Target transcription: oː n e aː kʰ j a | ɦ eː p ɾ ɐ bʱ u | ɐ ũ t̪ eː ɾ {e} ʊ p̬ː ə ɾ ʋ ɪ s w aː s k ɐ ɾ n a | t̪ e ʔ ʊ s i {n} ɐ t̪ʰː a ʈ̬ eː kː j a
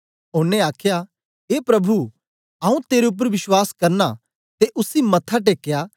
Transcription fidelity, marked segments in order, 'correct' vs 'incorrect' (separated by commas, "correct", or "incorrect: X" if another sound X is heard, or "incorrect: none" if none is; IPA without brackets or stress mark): correct, incorrect: m